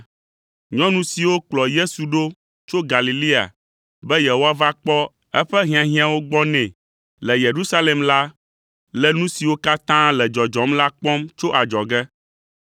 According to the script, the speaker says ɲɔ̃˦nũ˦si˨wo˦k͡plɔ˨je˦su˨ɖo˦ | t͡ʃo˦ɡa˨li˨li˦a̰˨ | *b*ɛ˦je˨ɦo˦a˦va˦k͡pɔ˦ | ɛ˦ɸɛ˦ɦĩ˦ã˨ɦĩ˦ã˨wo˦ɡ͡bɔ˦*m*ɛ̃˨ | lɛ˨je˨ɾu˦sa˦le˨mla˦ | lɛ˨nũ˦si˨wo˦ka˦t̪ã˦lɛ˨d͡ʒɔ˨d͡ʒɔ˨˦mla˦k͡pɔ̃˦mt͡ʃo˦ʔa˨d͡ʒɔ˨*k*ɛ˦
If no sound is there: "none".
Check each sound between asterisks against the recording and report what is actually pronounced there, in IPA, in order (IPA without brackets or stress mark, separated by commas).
b, n, ɡ